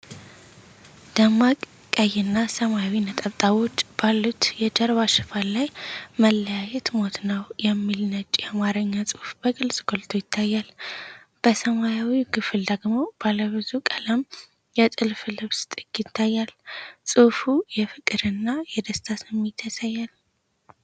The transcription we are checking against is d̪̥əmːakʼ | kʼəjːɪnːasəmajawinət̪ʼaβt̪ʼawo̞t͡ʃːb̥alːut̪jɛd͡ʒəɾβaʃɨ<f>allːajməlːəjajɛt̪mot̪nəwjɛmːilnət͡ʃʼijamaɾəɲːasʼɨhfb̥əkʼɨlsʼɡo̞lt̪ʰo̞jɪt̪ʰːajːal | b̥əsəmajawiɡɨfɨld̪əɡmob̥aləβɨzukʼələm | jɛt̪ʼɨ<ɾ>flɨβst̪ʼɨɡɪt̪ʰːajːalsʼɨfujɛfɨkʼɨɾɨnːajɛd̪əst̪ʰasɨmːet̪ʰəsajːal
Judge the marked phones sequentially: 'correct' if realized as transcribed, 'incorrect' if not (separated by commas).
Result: correct, incorrect